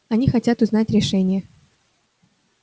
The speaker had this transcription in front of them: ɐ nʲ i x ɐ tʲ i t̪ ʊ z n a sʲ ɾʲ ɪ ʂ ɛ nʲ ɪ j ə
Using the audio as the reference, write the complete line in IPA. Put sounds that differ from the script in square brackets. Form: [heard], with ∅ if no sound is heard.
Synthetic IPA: ɐ nʲ i x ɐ tʲ [a] t̪ ʊ z n a [tʲ] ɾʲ ɪ ʂ ɛ nʲ ɪ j ə